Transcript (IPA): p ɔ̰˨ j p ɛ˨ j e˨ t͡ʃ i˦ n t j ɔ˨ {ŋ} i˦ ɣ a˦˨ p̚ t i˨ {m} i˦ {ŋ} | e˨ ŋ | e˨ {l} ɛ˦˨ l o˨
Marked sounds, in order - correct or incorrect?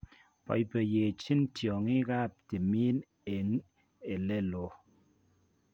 correct, correct, incorrect: n, correct

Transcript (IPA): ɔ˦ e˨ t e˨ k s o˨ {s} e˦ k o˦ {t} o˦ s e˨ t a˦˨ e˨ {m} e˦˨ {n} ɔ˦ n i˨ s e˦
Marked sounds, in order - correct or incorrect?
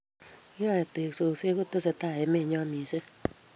correct, correct, correct, incorrect: ɲ

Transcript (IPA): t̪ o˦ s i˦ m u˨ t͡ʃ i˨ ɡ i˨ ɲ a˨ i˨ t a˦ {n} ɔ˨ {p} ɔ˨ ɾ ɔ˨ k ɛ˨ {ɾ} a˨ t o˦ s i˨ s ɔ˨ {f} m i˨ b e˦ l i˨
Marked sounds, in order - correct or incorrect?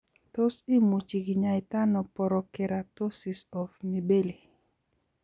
correct, correct, correct, correct

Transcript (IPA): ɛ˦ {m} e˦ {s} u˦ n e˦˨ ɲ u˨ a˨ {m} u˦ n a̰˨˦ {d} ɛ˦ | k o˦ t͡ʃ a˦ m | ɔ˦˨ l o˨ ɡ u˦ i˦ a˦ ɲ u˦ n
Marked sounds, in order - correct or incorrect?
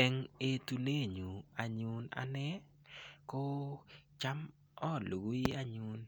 incorrect: ŋ, incorrect: t, incorrect: ɲ, incorrect: n

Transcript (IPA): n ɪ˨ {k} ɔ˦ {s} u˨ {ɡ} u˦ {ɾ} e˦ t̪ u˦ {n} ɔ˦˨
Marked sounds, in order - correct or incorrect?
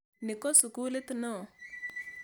correct, correct, incorrect: k, incorrect: l, correct

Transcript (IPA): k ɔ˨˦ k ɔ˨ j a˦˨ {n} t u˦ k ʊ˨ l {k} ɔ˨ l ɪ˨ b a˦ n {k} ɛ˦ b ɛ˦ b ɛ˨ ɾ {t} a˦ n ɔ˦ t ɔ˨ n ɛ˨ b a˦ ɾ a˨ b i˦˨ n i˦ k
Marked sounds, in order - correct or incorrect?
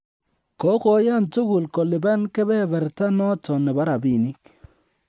correct, correct, correct, correct

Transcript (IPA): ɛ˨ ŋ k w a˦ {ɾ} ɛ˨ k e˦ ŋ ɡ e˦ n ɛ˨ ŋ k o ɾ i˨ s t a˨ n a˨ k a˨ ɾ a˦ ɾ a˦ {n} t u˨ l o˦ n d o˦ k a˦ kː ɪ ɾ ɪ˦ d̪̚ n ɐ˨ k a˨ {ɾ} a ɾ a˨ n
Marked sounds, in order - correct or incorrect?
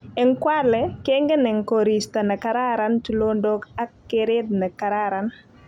incorrect: l, correct, correct

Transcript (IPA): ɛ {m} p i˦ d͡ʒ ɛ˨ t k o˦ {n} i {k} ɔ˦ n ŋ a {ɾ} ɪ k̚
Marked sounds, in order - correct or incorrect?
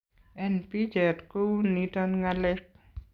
incorrect: n, correct, incorrect: t, incorrect: l

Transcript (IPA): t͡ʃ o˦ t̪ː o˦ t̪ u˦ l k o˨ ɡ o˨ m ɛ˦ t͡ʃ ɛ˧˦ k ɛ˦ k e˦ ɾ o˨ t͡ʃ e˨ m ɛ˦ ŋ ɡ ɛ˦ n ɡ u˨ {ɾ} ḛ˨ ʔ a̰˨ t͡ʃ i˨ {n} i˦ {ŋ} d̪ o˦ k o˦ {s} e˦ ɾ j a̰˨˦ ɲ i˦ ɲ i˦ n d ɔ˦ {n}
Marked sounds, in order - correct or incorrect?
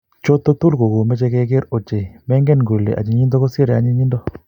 incorrect: l, incorrect: ɲ, incorrect: n, correct, incorrect: none

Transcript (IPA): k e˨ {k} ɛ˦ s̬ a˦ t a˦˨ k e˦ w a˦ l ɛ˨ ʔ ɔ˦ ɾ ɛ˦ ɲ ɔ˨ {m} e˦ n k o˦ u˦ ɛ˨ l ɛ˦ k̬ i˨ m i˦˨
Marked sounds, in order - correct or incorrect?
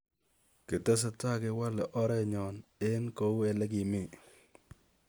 incorrect: t, incorrect: n

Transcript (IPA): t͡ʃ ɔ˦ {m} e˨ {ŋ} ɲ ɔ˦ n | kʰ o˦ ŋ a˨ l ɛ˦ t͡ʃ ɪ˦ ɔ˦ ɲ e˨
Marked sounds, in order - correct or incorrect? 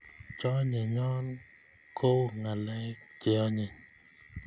incorrect: ɲ, incorrect: none

